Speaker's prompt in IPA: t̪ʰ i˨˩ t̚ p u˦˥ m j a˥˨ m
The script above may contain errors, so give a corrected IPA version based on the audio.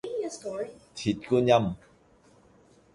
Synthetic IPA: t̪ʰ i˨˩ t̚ k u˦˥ n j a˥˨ m